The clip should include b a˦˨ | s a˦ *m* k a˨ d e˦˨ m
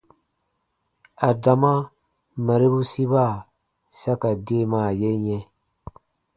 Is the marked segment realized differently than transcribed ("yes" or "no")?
yes